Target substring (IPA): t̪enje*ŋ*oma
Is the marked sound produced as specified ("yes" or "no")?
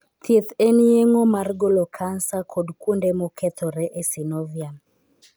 yes